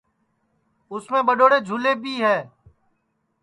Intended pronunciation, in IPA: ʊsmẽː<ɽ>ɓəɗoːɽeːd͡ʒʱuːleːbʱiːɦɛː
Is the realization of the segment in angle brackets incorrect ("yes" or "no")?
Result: yes